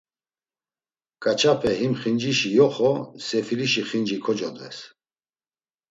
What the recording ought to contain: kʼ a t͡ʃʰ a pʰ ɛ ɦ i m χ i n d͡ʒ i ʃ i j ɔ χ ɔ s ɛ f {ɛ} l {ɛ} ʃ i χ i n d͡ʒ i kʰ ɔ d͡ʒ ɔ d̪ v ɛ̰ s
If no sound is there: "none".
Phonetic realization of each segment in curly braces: i, i

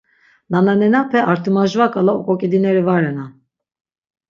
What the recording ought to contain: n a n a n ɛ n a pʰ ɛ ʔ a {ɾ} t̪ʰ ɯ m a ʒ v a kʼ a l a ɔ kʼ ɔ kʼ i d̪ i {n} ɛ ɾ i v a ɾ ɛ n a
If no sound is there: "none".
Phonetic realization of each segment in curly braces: ɾ, n

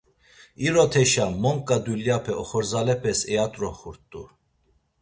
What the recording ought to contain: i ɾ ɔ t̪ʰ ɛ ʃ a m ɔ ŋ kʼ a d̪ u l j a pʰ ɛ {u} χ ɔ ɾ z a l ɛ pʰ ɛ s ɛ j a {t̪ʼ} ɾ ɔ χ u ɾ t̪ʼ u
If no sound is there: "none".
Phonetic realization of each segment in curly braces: ɔ, t̪ʼ

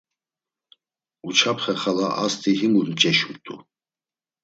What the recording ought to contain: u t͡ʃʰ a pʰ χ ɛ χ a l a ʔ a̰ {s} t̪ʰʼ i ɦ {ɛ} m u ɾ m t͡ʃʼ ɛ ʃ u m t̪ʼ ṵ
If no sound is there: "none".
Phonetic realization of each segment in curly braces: s, i

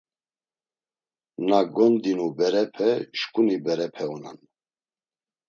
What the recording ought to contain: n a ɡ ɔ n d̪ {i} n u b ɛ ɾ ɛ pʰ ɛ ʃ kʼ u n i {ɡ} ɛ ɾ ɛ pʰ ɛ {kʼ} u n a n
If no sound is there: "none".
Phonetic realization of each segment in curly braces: i, b, none

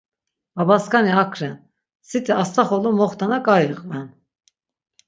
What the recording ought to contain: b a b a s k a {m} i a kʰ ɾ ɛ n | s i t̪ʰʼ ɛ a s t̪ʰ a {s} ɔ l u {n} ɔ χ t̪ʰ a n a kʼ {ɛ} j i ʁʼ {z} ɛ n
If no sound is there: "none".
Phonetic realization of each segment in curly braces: n, χ, m, a, v

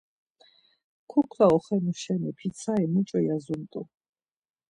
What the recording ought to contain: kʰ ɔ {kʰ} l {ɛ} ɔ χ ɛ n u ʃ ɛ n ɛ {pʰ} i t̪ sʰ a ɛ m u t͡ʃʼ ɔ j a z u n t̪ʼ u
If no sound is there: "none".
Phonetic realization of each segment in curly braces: kʰ, a, pʰ

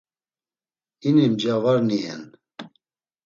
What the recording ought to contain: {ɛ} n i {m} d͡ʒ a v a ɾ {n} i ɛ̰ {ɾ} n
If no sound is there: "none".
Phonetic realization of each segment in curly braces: i, m, n, none

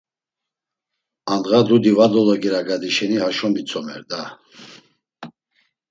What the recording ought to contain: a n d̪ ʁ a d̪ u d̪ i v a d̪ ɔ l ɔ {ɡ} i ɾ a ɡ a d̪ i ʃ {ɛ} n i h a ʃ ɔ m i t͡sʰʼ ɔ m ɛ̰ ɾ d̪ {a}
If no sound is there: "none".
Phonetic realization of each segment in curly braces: ɡ, ɛ, a

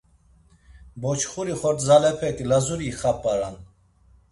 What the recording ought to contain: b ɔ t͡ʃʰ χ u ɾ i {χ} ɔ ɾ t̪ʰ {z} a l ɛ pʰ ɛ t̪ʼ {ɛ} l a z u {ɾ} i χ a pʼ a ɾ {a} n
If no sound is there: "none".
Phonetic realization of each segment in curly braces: χ, z, i, ɾ, a

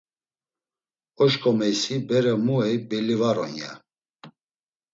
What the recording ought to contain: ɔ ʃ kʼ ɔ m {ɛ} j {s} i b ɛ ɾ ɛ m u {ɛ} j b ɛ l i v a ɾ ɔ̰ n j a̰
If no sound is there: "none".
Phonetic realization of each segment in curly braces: ɛ, s, ɛ

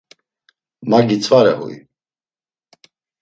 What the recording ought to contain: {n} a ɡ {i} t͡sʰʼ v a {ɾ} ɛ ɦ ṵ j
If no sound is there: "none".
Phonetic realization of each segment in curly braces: m, i, ɾ

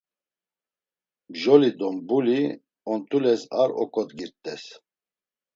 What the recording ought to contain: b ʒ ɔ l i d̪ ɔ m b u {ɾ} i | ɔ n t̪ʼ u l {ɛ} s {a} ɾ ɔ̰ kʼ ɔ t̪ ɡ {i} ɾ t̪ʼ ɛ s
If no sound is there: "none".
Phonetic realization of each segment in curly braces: l, ɛ, a, i

